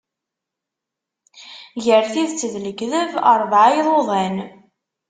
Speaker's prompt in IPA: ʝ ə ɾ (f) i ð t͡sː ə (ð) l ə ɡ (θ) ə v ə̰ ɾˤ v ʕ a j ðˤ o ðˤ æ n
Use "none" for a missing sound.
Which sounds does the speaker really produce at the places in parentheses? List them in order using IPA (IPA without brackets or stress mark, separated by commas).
θ, ð, ð